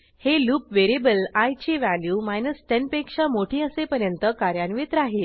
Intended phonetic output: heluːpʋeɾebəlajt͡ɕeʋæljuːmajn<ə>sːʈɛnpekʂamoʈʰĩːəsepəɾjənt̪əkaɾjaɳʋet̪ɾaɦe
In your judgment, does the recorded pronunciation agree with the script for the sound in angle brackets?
yes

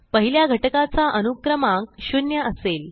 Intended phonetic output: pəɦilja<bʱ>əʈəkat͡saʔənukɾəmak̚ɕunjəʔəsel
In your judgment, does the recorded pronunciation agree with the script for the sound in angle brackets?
no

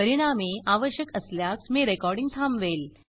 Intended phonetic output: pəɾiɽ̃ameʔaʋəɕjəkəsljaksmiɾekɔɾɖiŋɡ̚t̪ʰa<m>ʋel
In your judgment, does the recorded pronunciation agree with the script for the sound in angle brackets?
yes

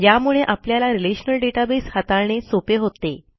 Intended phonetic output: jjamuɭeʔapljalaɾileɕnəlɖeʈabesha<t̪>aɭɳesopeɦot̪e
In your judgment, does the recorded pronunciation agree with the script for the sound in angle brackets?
yes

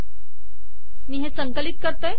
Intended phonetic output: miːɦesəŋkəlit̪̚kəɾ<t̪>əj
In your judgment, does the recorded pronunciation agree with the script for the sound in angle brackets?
yes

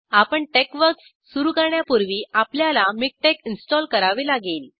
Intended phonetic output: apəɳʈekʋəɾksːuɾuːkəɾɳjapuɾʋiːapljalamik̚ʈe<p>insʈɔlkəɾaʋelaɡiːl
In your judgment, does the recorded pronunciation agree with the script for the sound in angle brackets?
no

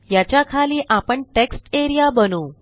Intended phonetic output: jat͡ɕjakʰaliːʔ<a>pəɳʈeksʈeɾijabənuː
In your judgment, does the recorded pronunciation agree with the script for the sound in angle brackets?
yes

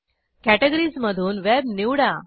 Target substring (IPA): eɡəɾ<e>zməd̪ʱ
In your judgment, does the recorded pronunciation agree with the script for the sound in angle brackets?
no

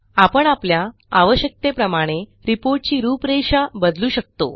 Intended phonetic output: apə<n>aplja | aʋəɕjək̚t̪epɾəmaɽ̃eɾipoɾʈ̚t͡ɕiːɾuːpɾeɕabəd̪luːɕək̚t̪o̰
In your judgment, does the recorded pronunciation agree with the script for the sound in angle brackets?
no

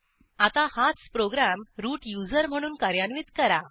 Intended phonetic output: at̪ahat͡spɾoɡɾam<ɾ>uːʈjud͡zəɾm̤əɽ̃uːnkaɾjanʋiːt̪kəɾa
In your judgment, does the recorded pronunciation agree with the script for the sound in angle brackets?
yes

